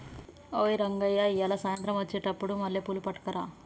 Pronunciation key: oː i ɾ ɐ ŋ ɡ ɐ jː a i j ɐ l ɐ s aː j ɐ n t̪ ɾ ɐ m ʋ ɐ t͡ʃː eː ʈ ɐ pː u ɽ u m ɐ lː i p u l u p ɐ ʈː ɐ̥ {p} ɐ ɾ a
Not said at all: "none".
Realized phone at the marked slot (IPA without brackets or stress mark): k